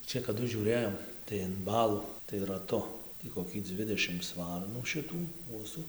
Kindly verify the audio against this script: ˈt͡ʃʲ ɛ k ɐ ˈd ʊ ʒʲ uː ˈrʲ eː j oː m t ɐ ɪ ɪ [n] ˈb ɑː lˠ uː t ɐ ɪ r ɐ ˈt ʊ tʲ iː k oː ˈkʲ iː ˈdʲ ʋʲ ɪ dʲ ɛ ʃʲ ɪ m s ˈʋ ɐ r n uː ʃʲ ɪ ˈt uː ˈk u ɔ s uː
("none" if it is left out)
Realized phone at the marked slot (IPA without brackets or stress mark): n